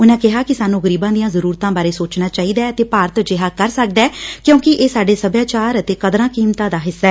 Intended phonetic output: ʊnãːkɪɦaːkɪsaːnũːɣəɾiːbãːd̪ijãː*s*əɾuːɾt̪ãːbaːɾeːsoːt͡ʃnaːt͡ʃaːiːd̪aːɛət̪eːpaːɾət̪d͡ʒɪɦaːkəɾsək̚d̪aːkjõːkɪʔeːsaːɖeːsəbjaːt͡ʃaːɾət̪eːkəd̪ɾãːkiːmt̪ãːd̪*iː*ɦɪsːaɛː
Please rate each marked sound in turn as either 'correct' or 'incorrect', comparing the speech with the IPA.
incorrect, incorrect

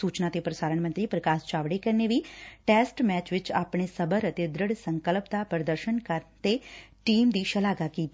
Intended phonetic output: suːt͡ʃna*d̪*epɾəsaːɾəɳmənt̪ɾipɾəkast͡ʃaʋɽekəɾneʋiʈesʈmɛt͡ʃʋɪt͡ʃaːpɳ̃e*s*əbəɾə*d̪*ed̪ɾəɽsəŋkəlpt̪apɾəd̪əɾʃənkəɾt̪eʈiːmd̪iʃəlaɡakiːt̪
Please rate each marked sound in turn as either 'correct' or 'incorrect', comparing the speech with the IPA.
incorrect, correct, incorrect

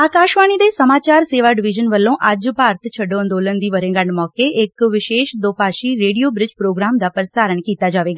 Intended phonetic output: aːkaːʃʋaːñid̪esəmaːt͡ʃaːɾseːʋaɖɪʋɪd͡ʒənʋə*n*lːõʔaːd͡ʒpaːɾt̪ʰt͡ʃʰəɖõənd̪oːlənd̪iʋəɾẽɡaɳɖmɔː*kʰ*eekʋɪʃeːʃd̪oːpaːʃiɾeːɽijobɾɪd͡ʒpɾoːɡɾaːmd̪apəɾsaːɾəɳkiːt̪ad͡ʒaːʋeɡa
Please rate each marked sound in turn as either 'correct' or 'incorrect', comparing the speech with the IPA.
incorrect, incorrect

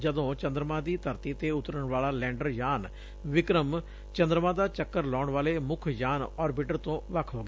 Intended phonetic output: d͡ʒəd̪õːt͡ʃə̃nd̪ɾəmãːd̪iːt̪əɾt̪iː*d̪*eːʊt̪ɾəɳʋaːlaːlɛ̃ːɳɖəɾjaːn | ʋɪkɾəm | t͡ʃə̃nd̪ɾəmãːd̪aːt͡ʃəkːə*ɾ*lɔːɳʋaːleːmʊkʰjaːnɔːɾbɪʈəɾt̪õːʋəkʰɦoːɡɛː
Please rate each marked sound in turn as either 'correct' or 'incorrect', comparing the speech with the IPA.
incorrect, correct

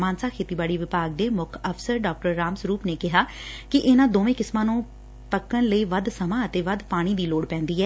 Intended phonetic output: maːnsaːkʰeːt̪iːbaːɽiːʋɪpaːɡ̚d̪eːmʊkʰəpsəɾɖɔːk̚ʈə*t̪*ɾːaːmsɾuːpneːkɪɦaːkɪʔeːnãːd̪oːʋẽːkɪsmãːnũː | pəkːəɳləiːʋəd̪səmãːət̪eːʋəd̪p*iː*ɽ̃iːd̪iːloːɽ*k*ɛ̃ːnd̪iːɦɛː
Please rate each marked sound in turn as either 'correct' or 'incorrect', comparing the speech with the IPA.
incorrect, incorrect, incorrect

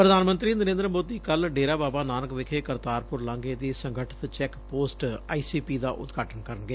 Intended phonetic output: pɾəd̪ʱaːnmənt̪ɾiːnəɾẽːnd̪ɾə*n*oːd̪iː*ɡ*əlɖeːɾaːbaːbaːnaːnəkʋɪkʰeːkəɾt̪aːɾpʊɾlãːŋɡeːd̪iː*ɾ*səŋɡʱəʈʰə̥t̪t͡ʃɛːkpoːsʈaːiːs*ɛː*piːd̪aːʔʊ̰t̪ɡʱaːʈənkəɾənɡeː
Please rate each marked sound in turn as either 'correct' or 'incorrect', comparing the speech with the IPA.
incorrect, incorrect, incorrect, incorrect

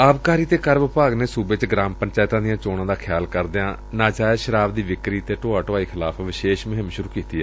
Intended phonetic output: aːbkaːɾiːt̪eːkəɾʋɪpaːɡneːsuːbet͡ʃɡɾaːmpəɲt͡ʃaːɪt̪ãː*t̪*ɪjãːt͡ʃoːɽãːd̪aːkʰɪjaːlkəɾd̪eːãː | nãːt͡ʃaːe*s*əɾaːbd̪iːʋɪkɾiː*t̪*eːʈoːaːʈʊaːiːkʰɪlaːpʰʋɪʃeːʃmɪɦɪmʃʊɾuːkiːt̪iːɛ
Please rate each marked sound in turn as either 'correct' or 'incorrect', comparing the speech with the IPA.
incorrect, incorrect, correct

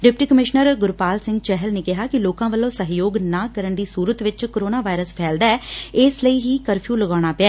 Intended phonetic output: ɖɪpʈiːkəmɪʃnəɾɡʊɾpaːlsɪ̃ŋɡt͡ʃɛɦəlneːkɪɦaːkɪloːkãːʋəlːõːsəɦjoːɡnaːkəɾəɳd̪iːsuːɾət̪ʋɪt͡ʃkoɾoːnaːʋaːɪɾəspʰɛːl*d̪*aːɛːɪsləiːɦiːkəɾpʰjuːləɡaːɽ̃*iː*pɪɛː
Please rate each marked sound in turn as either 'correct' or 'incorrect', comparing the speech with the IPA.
correct, incorrect

